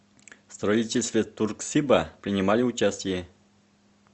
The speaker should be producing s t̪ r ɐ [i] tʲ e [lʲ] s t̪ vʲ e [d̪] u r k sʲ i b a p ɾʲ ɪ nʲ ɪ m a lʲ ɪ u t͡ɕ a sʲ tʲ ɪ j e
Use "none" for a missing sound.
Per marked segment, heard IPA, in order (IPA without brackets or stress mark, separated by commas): i, lʲ, t̪